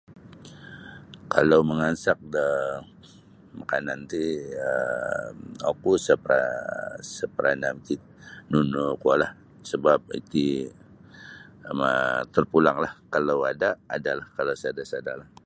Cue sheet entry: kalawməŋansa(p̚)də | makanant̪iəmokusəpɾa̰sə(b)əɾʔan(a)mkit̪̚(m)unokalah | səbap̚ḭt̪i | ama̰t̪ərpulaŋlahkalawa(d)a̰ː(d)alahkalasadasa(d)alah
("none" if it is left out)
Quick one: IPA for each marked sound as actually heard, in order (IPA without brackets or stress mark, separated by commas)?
k̚, p, a, n, d, d, d